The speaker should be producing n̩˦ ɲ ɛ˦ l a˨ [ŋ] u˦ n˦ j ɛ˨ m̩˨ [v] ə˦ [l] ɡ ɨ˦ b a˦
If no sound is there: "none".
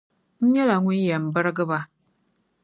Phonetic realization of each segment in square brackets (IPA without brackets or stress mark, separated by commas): ŋ, b, ɾ